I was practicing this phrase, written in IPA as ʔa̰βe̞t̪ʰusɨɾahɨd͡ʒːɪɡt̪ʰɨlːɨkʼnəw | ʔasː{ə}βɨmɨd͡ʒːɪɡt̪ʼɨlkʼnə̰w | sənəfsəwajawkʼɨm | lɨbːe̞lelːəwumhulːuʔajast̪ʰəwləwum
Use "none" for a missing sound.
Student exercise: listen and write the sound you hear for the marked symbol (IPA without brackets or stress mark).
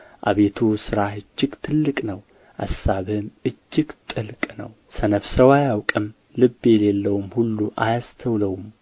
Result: a